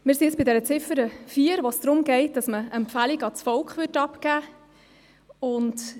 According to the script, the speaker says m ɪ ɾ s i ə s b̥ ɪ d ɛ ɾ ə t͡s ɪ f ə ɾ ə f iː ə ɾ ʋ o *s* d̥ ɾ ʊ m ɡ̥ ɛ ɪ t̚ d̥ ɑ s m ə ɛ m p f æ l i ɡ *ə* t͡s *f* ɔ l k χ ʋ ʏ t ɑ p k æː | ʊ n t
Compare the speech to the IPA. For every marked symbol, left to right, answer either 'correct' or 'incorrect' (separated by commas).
correct, incorrect, correct